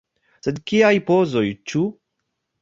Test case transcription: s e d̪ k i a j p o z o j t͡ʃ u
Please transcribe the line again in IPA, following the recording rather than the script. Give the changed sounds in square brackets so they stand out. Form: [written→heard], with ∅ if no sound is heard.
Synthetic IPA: s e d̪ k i a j p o z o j t͡ʃ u